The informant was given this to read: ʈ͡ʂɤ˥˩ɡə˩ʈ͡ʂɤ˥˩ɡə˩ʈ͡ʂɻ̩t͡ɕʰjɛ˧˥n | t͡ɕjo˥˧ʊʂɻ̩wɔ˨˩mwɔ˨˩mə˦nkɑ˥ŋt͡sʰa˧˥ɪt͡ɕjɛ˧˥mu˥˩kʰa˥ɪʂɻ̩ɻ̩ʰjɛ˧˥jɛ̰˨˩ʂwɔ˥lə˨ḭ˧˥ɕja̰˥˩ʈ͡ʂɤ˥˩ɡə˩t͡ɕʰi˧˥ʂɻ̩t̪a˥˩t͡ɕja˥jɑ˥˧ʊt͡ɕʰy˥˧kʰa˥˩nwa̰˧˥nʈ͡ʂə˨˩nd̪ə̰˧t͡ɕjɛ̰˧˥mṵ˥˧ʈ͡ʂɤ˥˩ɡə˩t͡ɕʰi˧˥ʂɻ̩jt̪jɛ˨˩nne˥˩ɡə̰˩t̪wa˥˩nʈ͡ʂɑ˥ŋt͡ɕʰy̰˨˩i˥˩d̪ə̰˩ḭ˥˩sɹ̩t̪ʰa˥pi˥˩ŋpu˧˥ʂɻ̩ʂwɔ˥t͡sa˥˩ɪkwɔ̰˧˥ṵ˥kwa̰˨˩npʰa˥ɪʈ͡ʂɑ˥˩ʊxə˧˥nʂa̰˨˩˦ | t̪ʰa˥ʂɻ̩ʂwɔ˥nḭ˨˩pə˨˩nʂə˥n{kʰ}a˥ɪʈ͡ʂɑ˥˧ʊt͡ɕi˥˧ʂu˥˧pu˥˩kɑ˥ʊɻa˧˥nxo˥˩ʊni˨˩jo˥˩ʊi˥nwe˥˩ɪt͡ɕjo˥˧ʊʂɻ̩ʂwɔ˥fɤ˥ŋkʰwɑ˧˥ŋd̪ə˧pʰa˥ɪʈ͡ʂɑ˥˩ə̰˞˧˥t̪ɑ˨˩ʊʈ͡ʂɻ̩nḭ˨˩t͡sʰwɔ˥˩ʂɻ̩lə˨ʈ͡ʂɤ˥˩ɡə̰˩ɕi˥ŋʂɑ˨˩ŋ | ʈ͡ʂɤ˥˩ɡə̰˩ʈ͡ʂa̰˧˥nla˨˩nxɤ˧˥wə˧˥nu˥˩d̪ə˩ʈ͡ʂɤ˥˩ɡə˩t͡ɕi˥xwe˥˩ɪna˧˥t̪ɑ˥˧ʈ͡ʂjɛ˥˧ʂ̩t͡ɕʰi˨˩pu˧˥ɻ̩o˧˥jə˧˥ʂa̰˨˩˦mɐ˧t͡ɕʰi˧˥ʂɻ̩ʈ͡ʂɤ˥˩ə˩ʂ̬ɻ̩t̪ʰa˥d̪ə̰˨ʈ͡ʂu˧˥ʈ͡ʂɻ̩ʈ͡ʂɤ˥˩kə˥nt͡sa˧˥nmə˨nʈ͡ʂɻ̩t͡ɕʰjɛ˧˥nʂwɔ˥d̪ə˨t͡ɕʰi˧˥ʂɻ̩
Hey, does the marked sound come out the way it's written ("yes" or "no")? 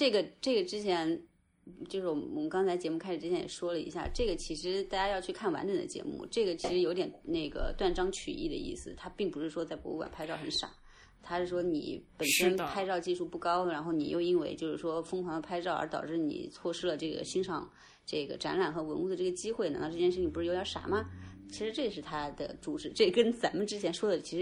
no